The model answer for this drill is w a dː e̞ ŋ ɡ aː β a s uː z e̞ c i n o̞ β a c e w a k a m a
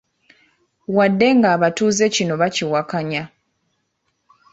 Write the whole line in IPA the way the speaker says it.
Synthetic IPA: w a dː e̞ ŋ ɡ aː β a t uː z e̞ c i n o̞ β a c i w a k a ɲ a